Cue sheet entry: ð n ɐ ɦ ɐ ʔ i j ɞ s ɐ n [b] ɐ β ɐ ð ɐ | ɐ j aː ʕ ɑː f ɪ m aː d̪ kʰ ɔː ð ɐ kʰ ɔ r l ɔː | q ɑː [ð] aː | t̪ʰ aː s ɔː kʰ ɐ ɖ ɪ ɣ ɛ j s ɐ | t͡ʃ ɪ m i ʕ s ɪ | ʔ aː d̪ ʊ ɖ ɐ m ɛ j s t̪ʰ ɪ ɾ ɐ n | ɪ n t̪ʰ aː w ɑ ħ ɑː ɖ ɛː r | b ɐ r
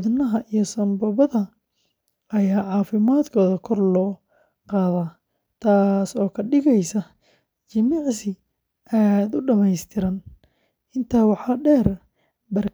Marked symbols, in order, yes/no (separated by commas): yes, yes